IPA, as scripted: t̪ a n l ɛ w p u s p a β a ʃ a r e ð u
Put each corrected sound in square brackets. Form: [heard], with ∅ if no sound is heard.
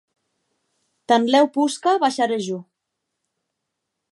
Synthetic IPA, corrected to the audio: t̪ a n l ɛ w p u s [k] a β a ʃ a [ɾ] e [ʒ] u